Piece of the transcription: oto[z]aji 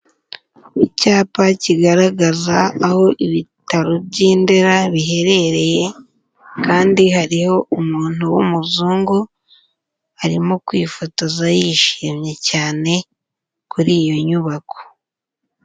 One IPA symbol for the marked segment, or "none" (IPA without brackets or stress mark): z